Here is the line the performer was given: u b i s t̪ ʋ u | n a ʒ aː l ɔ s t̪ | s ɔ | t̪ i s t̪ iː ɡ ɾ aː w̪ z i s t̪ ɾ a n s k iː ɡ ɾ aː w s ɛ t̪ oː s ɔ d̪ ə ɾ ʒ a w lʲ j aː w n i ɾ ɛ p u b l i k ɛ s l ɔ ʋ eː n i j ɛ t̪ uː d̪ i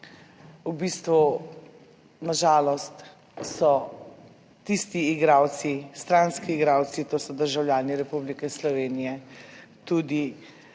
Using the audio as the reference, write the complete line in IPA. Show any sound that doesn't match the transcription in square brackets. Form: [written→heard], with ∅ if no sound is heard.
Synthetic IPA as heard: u b i s t̪ ʋ u | n a ʒ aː l ɔ s t̪ | s ɔ | t̪ i s t̪ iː ɡ ɾ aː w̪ [z→s] i s t̪ ɾ a n s k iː ɡ ɾ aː w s [ɛ→i] t̪ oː s ɔ d̪ ə ɾ ʒ a w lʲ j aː [w→∅] n i ɾ ɛ p u b l i k ɛ s l ɔ ʋ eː n i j ɛ t̪ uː d̪ i